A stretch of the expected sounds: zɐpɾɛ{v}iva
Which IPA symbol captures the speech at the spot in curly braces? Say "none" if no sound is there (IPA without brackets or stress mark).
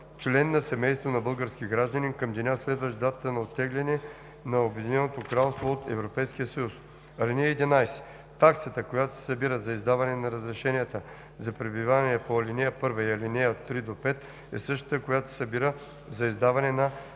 b